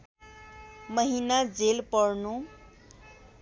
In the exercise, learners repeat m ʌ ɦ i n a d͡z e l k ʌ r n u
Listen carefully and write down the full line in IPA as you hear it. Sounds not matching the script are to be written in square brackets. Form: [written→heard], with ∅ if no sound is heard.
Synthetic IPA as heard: m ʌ ɦ i n a d͡z e l [k→p] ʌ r n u